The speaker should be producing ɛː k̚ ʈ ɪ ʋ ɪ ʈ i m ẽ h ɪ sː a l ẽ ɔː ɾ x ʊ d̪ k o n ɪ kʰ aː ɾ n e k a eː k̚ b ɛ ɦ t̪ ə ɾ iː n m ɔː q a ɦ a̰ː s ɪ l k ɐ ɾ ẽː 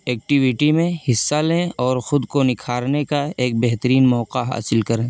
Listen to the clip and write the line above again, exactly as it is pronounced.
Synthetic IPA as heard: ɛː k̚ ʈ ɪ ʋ ɪ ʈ i m ẽ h ɪ sː a l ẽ ɔː ɾ x ʊ d̪ k o n ɪ kʰ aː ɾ n e k a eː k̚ b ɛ ɦ t̪ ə ɾ iː n m ɔː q a ɦ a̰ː s ɪ l k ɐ ɾ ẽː